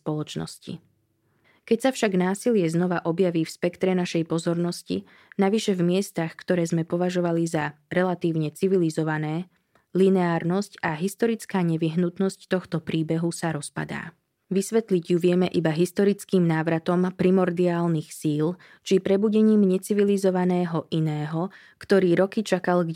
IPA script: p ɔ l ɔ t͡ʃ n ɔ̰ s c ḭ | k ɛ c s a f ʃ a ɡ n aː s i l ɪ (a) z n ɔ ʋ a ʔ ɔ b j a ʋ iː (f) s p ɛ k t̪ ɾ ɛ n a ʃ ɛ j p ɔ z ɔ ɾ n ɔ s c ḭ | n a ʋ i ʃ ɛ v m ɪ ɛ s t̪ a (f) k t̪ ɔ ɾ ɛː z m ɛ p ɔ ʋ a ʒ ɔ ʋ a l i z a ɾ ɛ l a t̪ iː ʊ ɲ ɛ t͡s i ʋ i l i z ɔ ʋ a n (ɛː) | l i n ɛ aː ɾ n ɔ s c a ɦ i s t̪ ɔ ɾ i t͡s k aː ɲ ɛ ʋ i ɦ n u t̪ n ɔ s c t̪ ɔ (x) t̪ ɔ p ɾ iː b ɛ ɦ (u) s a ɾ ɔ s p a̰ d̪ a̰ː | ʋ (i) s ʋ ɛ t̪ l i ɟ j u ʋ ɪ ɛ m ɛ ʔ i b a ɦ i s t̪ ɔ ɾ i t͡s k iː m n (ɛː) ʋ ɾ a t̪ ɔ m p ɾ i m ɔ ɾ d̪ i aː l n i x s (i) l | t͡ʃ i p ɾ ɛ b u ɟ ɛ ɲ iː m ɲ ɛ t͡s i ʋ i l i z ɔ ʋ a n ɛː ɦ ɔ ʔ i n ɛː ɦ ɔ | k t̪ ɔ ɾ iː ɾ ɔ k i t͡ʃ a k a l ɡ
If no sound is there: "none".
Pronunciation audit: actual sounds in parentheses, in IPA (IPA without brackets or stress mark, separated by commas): ɛ, f, x, ɛː, x, u, i, aː, iː